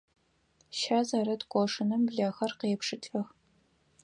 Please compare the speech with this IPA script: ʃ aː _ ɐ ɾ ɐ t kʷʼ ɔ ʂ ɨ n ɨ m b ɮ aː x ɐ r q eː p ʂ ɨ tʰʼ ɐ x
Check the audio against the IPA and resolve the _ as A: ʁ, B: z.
B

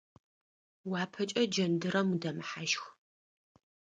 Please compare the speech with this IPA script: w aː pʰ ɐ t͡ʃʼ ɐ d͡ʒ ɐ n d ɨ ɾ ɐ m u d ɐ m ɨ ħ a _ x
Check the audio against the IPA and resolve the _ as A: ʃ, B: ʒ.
A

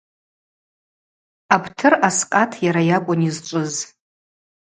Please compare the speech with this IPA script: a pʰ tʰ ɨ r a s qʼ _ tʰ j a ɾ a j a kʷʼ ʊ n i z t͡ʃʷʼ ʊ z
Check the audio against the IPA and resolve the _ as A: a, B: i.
A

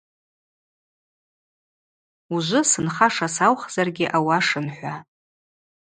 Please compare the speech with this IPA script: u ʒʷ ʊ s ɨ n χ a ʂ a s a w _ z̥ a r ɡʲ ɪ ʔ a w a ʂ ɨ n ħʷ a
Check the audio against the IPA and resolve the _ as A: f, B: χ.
B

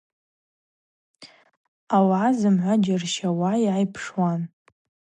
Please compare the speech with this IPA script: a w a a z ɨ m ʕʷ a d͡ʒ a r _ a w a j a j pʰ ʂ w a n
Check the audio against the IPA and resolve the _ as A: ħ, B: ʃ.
B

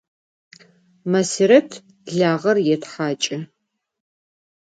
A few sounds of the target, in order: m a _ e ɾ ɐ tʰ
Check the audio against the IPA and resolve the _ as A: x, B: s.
B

